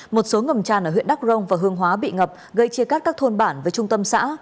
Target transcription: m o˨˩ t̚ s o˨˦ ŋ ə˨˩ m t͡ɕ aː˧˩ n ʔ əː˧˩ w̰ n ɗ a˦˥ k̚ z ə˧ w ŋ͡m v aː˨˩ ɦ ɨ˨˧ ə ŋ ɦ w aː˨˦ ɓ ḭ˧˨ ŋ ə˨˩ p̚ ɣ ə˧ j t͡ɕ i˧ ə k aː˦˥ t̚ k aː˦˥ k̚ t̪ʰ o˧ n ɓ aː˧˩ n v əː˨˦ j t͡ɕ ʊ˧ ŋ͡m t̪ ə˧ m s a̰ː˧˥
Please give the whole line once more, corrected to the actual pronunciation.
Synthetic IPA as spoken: m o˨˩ t̚ s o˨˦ ŋ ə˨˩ m t͡ɕ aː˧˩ n ʔ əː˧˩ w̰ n ɗ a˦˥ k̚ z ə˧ w ŋ͡m v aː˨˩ ɦ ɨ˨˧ ə ŋ ɦ w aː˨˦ ɓ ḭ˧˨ ŋ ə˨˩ p̚ ɣ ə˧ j t͡ɕ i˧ ə k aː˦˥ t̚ k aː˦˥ k̚ t̪ʰ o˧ n ɓ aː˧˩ n v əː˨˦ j t͡ɕ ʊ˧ ŋ͡m t̪ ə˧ m s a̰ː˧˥